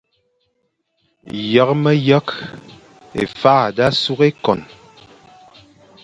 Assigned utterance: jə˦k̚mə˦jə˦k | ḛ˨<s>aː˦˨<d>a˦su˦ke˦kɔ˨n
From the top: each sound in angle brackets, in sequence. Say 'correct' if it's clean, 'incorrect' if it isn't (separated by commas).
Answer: incorrect, correct